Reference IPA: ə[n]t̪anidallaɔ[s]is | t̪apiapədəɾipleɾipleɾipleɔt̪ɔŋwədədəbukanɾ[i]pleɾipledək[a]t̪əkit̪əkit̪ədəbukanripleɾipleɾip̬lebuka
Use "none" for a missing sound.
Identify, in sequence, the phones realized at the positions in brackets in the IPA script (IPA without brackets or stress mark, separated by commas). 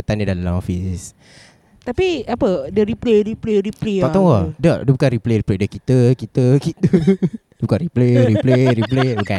none, f, i, i